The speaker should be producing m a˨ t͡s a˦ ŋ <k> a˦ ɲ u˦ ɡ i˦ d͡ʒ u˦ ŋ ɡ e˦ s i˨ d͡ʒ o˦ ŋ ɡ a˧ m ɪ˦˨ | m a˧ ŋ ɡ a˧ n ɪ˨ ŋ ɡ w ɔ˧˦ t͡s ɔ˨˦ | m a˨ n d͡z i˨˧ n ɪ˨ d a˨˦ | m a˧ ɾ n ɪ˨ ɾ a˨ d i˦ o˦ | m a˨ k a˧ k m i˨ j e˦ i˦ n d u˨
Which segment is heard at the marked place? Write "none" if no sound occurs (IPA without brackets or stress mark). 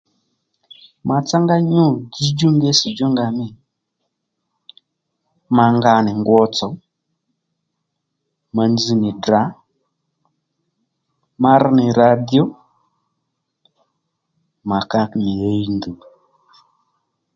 ɡ